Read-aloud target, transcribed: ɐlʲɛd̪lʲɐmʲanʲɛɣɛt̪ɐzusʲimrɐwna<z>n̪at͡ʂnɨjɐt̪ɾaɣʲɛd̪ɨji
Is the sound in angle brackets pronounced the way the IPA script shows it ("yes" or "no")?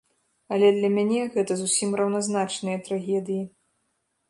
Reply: yes